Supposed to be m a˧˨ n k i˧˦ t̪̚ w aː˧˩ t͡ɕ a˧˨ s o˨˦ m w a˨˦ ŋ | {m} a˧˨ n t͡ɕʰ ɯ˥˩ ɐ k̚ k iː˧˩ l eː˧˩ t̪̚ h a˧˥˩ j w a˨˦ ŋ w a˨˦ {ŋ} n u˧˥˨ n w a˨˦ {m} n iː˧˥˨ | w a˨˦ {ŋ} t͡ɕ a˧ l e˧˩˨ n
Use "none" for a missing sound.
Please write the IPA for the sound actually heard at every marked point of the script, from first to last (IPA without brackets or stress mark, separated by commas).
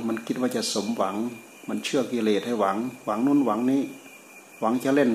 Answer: m, ŋ, ŋ, ŋ